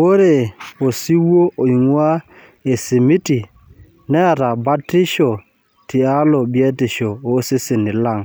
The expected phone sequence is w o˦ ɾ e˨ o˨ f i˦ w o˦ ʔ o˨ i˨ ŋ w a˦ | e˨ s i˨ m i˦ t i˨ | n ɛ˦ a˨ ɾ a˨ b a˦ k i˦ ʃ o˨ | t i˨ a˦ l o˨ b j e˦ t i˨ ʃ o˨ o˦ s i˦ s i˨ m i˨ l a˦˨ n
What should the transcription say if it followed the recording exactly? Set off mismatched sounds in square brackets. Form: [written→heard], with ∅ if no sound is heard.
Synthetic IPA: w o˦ ɾ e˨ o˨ [f→s] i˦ w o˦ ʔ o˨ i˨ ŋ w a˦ | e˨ s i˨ m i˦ t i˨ | n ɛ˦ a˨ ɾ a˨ b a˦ [k→t] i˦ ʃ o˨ | t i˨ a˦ l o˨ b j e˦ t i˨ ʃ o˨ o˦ s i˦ s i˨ [m→n] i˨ l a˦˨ [n→ŋ]